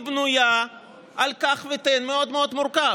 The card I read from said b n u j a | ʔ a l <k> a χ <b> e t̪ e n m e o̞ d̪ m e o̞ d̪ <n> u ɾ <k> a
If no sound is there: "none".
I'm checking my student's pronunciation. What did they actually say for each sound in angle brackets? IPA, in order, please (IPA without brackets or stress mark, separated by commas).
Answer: k, v, m, k